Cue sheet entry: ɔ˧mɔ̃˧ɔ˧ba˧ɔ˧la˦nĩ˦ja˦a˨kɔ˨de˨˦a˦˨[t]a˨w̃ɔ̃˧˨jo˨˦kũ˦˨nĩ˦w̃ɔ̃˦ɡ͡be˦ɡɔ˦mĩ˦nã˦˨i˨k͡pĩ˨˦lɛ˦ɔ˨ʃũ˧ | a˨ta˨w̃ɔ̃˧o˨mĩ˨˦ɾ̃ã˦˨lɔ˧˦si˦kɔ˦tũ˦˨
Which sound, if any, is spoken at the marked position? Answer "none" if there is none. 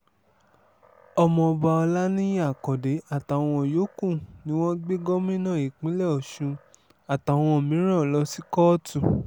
t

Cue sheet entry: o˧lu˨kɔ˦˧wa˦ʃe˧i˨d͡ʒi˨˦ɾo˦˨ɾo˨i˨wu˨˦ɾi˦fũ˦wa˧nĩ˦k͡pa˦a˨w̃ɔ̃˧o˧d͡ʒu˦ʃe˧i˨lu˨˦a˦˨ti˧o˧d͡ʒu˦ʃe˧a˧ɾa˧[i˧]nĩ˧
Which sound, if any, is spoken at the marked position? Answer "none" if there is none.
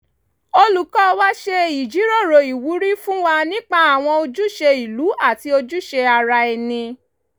ɛ˧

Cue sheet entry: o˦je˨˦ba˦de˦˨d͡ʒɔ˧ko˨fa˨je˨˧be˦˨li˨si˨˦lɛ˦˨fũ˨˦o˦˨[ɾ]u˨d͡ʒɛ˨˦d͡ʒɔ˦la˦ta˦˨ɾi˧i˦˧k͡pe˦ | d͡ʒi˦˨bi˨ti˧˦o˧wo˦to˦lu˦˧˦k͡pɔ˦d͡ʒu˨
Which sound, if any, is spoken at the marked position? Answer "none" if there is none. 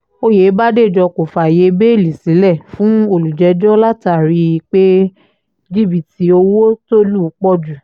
l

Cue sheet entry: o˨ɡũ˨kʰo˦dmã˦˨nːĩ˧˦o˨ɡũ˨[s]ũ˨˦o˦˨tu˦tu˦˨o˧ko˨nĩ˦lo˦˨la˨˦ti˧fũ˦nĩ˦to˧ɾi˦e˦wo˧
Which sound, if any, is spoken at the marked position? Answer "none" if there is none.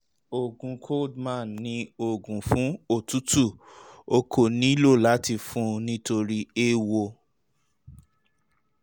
f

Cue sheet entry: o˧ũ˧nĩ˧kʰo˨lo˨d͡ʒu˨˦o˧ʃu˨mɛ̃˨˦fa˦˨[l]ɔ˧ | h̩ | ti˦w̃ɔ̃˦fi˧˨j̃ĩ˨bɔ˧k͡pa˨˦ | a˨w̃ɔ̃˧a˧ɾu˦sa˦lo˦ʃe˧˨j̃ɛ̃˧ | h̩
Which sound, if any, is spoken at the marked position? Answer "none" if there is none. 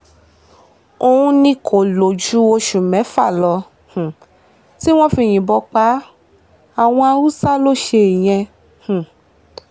l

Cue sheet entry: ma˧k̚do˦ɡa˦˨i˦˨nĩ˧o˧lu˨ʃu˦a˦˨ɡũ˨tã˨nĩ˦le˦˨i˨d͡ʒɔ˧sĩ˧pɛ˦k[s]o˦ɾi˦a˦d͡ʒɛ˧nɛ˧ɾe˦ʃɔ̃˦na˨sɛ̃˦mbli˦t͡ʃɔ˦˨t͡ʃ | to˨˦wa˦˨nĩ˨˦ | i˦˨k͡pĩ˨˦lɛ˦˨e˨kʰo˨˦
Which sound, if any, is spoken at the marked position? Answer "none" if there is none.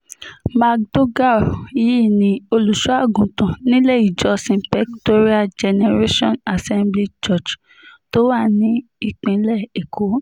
t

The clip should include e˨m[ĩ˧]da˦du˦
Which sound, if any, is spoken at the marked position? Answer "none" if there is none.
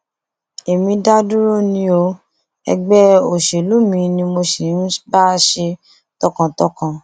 ĩ˧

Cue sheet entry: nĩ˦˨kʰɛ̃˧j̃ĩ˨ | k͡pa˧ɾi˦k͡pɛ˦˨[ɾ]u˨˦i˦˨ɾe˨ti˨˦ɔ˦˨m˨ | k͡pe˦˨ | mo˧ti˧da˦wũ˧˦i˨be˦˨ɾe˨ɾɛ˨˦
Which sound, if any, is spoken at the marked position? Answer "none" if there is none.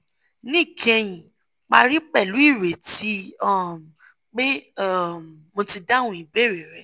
l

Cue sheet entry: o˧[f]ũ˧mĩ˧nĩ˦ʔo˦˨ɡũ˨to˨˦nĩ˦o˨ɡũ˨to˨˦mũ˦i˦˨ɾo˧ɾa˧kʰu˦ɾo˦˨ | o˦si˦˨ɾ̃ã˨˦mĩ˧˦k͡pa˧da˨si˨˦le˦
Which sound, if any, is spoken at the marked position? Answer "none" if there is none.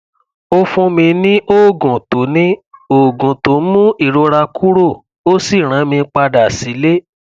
f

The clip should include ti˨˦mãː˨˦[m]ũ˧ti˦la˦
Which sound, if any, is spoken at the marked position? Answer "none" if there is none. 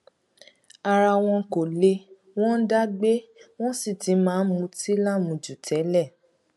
m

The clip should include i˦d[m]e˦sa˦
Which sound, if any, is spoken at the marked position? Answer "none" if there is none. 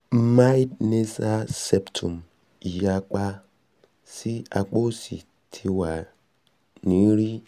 n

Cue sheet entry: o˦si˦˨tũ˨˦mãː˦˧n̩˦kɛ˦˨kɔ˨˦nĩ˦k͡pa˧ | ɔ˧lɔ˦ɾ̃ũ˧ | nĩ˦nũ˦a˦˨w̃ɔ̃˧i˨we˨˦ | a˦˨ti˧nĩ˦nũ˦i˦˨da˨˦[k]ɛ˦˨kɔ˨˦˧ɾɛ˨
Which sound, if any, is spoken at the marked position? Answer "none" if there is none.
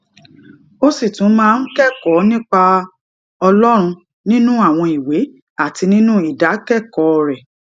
k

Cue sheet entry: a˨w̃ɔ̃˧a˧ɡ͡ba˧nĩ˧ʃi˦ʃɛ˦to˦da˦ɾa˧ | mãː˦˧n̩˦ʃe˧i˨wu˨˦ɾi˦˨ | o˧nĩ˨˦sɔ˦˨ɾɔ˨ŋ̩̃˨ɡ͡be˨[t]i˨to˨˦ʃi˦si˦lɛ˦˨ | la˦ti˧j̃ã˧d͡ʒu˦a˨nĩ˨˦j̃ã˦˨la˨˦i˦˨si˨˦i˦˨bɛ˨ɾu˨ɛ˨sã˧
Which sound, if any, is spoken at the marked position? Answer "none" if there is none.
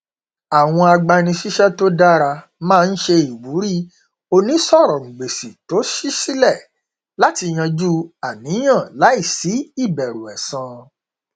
s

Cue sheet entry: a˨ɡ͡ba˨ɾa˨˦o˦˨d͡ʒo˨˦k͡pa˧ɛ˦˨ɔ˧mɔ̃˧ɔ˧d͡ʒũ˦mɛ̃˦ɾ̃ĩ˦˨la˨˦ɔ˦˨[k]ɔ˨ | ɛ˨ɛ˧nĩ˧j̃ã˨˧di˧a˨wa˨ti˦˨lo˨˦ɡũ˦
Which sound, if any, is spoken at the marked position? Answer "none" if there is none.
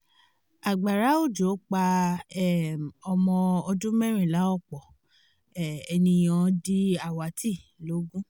k͡p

